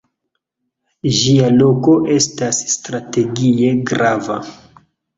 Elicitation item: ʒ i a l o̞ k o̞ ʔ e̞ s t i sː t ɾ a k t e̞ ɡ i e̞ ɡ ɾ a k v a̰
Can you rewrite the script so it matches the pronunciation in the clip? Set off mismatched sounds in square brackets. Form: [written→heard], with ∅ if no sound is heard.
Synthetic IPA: ʒ i a l o̞ k o̞ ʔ e̞ s t [i→a] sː t ɾ a [k→∅] t e̞ ɡ i e̞ ɡ ɾ a [k→∅] v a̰